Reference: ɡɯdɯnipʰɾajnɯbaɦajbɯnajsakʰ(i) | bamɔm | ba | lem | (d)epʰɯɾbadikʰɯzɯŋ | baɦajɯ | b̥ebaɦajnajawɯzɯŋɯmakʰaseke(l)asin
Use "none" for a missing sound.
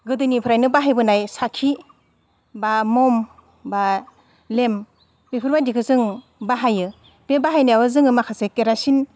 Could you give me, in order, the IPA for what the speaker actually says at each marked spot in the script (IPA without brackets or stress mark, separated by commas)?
i, b, ɾ